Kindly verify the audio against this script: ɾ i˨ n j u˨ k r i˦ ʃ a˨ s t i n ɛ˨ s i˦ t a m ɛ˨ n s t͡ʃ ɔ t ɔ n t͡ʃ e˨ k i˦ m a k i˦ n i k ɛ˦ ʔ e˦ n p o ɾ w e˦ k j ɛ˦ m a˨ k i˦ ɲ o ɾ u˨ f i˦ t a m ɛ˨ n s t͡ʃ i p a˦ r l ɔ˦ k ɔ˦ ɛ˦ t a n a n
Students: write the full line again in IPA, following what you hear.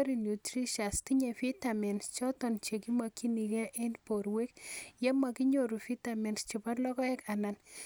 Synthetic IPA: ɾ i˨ n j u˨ t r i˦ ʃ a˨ s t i ɲ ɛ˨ f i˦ t a m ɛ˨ n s t͡ʃ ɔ t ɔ n t͡ʃ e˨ k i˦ m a k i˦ n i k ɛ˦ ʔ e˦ n p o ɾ w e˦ k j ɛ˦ m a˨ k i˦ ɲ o ɾ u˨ f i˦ t a m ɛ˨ n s t͡ʃ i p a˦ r l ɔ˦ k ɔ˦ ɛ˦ k a n a n